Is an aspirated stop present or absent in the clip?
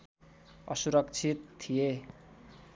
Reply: present